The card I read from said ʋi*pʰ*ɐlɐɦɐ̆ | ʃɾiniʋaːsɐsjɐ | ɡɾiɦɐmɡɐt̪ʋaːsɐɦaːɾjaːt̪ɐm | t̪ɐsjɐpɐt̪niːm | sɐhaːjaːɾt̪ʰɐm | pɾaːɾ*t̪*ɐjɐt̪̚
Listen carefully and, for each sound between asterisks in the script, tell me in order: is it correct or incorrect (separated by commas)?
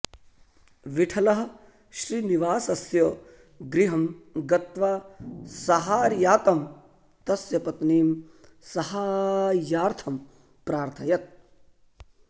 incorrect, incorrect